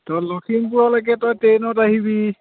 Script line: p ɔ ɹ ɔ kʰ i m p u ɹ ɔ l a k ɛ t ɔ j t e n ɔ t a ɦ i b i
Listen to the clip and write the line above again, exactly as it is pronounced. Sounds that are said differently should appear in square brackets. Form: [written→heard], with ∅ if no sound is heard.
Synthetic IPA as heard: [p→t] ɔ [ɹ→l] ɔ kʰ i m p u ɹ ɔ l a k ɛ t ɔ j t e n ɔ t a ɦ i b i